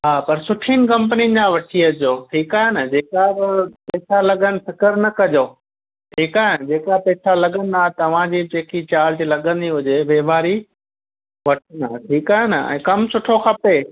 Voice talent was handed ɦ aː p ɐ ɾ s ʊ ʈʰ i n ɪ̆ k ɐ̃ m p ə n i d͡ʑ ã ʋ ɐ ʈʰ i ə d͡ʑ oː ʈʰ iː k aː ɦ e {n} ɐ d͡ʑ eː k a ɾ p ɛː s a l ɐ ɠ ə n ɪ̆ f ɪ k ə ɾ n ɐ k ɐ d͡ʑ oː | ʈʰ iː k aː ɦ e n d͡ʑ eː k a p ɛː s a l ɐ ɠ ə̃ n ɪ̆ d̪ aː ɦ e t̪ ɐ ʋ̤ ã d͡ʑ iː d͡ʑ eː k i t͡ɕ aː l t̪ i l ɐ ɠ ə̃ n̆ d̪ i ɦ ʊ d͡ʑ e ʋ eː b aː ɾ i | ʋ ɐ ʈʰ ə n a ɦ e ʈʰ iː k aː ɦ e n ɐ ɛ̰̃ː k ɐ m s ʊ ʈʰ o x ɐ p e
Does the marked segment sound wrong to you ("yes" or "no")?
no